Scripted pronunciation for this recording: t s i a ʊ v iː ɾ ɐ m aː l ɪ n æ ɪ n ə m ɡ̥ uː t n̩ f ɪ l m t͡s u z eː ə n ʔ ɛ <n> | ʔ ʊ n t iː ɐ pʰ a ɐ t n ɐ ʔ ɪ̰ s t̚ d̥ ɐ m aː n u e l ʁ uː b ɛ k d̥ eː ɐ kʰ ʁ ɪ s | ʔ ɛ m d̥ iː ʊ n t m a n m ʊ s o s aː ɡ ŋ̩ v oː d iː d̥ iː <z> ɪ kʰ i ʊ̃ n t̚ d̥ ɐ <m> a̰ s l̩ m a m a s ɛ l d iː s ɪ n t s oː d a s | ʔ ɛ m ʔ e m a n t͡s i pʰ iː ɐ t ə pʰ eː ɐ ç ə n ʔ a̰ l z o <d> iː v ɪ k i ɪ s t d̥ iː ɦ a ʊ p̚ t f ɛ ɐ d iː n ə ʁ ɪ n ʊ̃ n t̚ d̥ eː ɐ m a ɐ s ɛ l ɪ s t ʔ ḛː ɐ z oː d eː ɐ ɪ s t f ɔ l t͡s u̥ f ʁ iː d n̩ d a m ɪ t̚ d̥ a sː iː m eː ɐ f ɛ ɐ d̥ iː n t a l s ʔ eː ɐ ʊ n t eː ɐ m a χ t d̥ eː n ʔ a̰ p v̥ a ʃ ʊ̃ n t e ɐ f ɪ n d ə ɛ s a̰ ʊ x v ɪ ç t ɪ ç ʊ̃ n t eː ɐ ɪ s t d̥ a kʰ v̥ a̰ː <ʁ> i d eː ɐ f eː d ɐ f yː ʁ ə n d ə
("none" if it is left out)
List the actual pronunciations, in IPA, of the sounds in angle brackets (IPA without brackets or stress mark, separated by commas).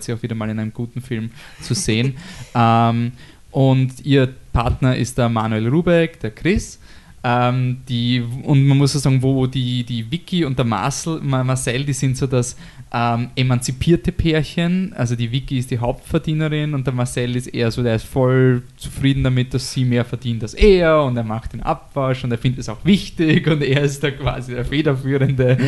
m, v, m, d, z